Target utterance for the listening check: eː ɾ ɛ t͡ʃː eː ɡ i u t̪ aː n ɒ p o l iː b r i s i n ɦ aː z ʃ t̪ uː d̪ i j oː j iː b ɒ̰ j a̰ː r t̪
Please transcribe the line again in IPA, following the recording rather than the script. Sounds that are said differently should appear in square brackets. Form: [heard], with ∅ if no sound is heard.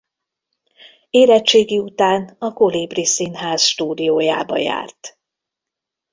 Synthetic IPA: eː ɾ ɛ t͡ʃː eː ɡ i u t̪ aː n ɒ [k] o l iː b r i s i n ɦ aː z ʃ t̪ uː d̪ i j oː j [aː] b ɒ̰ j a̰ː r t̪